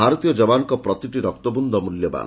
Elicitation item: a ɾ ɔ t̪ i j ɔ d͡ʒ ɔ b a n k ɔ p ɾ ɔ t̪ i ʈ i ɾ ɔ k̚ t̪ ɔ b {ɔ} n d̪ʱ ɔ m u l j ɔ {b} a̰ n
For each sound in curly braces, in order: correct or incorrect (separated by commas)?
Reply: incorrect, correct